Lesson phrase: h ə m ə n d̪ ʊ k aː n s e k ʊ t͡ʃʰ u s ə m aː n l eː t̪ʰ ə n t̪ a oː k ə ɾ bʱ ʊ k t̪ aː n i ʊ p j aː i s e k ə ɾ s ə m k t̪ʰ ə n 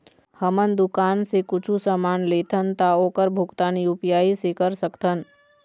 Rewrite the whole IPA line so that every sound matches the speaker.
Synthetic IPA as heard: h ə m ə n d̪ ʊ k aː n s e k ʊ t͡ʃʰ u s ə m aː n l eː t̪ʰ ə n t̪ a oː k ə ɾ bʱ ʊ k t̪ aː n i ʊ p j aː i s e k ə ɾ s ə k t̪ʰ ə n